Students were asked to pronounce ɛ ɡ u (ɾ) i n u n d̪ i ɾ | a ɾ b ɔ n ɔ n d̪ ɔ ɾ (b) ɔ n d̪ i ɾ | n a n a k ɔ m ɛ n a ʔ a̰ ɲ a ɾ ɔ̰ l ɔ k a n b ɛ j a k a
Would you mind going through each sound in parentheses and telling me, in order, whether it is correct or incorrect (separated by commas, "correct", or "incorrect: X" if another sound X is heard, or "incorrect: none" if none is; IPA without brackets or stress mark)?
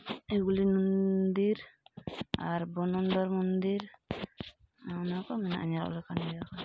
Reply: incorrect: l, incorrect: m